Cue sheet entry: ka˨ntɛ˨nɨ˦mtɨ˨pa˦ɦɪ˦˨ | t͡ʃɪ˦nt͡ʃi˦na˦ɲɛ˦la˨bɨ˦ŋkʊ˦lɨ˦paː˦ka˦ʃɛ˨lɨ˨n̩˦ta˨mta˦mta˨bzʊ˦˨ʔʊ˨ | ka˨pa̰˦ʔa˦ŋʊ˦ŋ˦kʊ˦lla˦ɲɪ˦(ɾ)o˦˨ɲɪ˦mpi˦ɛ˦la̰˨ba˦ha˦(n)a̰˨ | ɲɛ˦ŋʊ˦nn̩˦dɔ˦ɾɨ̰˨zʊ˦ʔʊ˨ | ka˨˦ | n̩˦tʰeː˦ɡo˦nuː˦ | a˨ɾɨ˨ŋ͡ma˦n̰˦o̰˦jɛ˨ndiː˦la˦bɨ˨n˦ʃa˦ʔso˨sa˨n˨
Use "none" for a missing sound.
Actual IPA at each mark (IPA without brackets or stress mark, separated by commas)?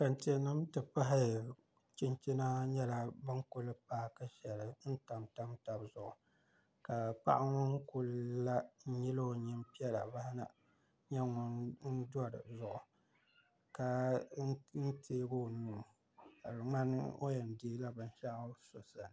l, n